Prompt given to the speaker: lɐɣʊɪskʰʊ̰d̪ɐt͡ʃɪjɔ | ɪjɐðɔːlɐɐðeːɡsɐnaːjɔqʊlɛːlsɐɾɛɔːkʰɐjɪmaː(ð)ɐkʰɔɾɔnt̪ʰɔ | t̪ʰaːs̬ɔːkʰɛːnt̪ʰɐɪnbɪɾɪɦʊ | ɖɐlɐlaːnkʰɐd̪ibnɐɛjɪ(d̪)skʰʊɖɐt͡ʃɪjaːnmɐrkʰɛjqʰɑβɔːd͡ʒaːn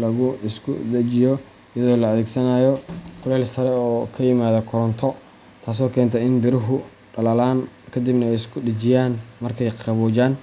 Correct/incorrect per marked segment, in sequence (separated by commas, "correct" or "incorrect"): correct, incorrect